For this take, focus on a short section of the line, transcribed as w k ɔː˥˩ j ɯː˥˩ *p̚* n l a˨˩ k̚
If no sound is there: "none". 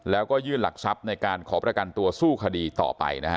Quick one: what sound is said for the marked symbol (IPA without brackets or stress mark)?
none